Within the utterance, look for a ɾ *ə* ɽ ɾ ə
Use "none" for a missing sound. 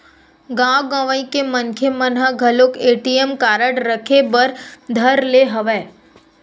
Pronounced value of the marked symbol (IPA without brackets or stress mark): ə